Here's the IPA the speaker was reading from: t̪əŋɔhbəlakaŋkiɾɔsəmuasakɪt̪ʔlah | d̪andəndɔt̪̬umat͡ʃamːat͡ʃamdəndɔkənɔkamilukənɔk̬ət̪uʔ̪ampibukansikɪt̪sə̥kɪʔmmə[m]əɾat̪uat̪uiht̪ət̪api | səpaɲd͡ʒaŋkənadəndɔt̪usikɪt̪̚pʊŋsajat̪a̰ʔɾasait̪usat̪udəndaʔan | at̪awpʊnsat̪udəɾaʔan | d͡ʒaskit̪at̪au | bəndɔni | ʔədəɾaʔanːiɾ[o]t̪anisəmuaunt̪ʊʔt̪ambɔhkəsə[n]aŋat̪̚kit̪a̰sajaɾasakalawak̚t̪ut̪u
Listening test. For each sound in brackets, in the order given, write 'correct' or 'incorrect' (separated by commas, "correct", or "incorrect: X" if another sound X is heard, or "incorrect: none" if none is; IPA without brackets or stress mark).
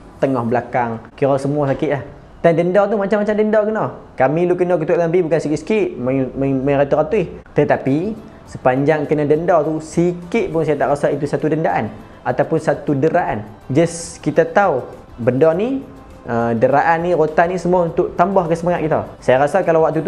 correct, correct, incorrect: m